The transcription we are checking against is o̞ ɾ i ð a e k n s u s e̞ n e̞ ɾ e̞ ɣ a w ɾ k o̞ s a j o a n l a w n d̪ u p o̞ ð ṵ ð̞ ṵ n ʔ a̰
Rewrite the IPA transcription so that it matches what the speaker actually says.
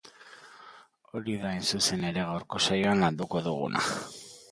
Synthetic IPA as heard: o̞ ɾ i ð a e n s u s e̞ n e̞ ɾ e̞ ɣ a w ɾ k o̞ s a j o a n l a n d̪ u k o̞ ð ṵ ɣ̞ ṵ n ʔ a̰